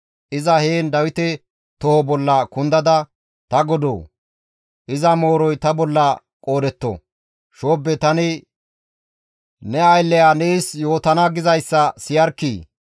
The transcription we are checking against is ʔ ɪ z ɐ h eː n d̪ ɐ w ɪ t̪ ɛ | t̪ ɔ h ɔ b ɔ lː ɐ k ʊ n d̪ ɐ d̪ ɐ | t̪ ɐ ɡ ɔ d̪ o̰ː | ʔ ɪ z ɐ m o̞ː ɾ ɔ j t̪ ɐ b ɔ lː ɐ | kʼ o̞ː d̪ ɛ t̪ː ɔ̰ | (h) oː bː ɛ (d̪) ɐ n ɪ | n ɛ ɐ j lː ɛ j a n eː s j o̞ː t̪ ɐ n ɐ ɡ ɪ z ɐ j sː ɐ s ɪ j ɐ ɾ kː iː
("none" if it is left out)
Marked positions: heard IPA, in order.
ʃ, t̪

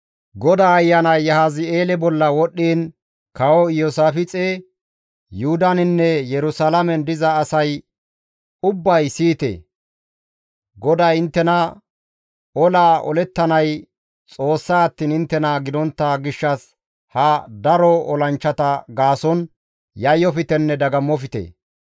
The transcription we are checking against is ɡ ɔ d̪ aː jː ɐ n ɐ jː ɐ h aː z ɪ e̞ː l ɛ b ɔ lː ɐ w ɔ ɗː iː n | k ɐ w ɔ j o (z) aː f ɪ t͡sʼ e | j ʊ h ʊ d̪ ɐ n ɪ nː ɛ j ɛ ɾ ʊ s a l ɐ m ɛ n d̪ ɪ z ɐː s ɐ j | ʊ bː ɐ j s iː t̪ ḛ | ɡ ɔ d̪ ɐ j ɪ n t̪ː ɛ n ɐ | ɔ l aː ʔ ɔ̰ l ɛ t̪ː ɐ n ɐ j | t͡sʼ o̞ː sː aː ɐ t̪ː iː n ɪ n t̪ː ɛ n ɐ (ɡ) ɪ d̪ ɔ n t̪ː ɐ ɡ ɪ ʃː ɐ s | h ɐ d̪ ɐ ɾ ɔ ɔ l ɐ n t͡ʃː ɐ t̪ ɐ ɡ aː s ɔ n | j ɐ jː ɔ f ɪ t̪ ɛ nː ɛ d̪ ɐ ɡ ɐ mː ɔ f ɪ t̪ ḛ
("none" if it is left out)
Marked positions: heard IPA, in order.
s, ɡ

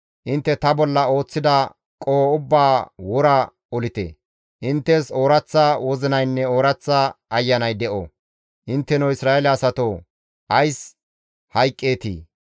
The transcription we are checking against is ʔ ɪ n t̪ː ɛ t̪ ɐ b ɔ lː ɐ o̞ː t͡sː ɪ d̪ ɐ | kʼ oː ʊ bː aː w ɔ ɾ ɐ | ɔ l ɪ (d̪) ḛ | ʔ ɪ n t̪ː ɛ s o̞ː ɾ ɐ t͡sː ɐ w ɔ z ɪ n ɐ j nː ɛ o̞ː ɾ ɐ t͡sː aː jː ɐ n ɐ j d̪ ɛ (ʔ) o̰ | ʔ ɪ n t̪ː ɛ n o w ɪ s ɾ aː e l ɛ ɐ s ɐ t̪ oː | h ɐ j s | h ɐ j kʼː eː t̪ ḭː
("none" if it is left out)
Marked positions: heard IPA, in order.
t̪, ʔ

